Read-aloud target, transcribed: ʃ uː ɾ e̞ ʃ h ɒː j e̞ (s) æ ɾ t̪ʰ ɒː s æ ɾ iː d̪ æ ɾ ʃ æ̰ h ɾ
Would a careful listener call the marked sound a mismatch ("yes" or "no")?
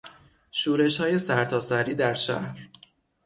no